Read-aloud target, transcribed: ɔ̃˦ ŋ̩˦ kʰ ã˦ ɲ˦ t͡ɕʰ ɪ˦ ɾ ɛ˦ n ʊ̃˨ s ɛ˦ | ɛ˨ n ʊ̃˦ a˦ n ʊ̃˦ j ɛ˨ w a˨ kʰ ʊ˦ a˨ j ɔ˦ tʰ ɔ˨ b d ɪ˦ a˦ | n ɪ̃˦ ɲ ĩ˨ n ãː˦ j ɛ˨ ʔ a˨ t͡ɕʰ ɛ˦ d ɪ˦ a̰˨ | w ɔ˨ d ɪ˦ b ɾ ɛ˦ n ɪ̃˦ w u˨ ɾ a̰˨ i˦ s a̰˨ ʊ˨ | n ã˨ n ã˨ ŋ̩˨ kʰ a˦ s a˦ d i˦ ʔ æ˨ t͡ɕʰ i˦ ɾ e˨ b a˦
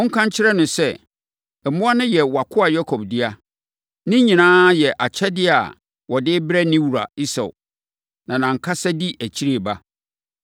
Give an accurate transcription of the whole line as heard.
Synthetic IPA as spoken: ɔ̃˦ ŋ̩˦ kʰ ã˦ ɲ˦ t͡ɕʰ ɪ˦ ɾ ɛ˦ n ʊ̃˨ s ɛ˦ | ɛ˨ m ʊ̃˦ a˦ n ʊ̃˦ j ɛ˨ w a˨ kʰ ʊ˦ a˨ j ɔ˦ kʰ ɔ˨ b d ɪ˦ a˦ | n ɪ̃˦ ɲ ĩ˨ n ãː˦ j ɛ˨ ʔ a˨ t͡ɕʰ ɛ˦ d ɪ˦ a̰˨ | w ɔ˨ d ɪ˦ b ɾ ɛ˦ n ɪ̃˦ w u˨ ɾ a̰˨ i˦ s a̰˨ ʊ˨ | n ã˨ n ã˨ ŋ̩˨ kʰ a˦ s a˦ d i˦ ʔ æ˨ t͡ɕʰ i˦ ɾ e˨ b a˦

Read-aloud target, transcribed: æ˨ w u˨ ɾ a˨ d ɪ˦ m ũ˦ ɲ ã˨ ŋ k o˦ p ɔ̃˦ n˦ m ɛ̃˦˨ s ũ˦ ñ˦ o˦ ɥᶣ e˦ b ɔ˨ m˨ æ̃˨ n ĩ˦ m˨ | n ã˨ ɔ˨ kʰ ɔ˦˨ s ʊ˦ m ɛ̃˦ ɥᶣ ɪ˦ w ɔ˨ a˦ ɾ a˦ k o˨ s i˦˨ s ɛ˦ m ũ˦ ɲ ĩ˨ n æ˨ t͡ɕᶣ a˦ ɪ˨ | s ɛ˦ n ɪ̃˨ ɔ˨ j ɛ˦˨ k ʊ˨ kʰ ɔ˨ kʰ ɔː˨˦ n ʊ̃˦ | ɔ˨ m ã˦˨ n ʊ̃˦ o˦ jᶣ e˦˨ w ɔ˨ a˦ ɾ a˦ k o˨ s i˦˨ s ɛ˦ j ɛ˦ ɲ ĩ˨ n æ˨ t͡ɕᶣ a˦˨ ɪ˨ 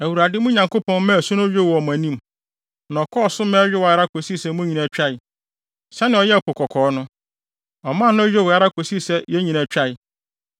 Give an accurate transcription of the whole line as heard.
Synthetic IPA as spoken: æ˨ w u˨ ɾ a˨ d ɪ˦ m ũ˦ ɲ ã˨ ŋ k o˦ p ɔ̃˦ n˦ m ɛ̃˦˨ s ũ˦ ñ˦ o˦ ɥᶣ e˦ w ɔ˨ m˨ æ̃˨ n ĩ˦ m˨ | n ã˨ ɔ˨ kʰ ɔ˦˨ s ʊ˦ m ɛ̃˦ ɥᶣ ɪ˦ w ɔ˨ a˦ ɾ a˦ k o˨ s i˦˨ s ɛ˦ m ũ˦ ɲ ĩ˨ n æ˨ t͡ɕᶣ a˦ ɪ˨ | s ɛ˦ n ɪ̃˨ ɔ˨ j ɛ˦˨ k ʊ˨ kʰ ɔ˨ kʰ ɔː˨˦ n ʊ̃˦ | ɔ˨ m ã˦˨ n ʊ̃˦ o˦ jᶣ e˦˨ w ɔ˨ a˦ ɾ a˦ k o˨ s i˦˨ s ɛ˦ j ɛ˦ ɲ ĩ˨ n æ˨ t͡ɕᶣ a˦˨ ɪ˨

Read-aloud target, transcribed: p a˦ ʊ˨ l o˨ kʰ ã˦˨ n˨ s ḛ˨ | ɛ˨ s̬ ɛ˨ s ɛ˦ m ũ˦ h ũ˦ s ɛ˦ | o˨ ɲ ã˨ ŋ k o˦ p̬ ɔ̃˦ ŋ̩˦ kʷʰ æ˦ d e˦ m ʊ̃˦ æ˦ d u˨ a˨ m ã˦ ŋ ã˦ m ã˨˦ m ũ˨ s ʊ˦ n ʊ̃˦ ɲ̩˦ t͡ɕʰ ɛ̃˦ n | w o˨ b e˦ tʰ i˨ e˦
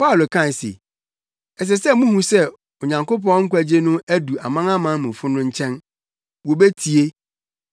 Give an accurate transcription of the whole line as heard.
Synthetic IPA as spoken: p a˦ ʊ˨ l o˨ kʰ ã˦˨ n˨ s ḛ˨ | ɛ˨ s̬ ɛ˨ s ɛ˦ m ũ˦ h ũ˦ s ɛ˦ | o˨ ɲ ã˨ ŋ k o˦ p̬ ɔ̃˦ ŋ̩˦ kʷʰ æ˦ d͡ʑ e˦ n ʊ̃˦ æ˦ d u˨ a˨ m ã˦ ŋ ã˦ m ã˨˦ m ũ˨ f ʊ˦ n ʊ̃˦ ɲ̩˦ t͡ɕʰ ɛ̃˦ n | w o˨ b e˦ tʰ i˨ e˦

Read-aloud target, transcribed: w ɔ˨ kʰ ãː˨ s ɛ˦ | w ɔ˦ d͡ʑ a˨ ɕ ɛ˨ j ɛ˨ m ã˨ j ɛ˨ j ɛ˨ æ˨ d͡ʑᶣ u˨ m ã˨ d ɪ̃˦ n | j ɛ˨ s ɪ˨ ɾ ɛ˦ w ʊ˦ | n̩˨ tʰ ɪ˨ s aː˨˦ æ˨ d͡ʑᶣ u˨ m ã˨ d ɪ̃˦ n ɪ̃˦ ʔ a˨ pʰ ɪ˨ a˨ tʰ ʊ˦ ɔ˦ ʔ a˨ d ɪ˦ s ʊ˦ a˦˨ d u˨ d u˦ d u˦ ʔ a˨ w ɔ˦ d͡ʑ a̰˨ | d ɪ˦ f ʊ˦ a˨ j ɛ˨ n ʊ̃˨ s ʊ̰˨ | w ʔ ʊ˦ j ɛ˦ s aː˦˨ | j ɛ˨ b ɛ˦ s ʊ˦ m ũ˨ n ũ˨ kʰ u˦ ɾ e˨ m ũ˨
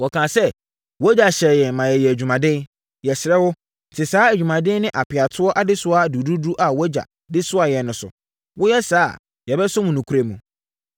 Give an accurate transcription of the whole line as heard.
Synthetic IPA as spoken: w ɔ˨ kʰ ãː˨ s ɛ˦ | w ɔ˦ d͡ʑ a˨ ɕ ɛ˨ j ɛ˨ m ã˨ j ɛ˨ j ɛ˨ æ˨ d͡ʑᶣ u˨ m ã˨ d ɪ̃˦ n | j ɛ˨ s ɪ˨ ɾ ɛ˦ w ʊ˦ | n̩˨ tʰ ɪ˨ s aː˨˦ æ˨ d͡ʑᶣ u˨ m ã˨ d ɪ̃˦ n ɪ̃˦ ʔ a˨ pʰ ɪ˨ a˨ tʰ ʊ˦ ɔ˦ ʔ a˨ d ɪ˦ s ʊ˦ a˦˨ d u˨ d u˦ d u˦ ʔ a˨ w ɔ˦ d͡ʑ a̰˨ | d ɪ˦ s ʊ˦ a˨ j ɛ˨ n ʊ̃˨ s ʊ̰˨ | w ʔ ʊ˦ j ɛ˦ s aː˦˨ | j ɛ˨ b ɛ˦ s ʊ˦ m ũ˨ n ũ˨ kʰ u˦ ɾ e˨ m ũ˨

